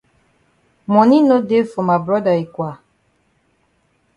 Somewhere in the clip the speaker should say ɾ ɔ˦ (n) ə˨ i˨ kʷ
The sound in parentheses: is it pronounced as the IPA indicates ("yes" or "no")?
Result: no